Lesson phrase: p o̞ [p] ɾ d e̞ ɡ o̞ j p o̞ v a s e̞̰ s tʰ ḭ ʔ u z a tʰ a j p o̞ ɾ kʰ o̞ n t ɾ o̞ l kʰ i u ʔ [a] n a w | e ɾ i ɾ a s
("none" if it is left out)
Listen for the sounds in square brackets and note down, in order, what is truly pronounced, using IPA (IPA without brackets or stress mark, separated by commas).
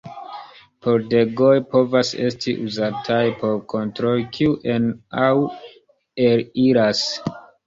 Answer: none, e